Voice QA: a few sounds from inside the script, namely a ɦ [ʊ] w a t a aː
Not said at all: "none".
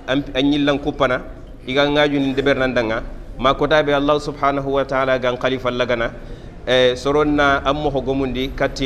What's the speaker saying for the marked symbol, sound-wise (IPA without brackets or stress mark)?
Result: u